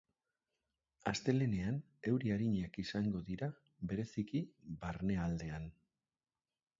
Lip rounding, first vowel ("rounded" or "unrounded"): unrounded